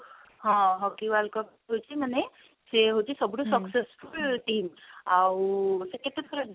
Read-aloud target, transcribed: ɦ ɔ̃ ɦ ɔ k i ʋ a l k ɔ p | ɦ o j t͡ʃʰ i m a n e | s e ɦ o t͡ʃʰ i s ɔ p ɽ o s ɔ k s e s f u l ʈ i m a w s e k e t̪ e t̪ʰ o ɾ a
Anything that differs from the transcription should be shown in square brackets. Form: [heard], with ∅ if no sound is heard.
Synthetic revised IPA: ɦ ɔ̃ ɦ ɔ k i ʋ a l k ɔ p | ɦ o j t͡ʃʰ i m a n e | s e ɦ o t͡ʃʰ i s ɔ [b] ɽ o s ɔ k s e s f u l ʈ i m a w s e k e t̪ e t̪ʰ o ɾ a